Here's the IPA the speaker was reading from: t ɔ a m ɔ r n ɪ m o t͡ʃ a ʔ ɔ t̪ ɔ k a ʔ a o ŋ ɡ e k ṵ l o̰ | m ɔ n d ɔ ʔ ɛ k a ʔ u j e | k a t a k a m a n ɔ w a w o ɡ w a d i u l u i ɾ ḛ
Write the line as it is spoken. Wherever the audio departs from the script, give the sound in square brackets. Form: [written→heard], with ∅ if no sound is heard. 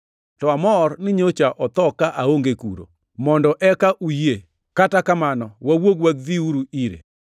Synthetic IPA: t ɔ a m ɔ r n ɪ [m→ɲ] o t͡ʃ a ʔ ɔ t̪ ɔ k a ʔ a o ŋ ɡ e k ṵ [l→ɾ] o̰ | m ɔ n d ɔ ʔ ɛ k a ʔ u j e | k a t a k a m a n ɔ w a w o ɡ w a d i u [l→ɾ] u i ɾ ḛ